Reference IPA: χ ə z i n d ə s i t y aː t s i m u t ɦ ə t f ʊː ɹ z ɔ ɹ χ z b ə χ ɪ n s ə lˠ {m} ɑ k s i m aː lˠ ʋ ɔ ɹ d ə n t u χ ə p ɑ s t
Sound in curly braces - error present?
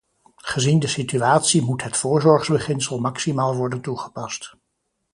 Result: no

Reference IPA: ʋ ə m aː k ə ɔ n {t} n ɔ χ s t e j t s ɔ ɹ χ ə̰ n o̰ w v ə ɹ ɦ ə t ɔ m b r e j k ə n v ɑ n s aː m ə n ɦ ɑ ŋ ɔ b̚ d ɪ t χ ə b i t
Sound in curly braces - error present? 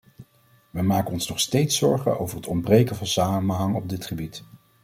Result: yes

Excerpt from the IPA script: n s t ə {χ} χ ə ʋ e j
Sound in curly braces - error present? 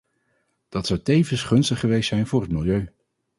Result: no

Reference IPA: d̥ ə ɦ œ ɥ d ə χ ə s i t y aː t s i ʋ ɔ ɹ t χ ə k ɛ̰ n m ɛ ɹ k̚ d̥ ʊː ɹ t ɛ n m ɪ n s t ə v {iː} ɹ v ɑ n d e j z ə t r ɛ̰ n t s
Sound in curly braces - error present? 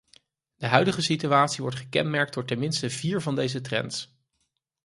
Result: no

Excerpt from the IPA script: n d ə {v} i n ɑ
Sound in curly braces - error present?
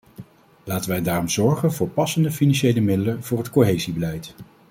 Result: yes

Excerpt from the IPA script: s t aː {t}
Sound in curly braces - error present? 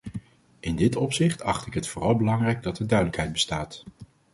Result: no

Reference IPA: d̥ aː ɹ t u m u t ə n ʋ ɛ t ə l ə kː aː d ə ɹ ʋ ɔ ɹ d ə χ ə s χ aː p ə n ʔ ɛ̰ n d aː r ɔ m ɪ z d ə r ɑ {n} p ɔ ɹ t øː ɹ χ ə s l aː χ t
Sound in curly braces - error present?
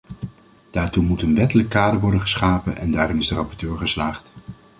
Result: yes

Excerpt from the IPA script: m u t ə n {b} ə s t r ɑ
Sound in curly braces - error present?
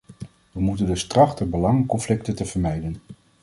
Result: yes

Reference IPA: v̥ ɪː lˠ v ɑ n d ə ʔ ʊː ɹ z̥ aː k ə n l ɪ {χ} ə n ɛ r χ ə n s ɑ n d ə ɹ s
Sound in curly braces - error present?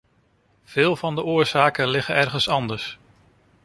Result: no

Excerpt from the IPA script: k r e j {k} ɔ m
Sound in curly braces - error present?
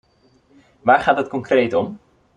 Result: yes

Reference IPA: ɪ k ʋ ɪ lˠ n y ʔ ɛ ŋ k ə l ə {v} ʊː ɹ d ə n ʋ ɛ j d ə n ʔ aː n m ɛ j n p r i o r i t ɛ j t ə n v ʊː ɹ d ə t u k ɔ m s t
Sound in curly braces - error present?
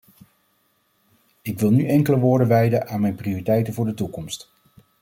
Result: yes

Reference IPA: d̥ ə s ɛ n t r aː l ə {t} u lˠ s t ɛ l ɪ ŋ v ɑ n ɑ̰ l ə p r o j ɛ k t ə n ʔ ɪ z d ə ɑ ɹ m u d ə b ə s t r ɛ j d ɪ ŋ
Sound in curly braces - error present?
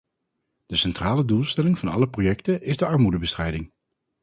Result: yes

